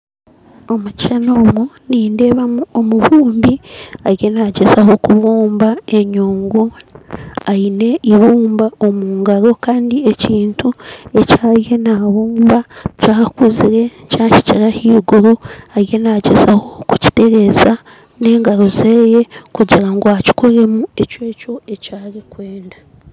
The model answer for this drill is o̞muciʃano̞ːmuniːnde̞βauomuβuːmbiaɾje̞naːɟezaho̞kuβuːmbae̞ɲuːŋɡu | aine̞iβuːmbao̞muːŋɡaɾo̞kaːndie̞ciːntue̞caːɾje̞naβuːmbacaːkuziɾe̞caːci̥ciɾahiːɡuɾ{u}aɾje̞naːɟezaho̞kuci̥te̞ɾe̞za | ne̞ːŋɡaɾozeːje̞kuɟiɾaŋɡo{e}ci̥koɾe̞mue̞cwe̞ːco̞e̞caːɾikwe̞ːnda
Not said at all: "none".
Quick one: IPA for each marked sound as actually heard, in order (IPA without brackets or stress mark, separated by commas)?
u, a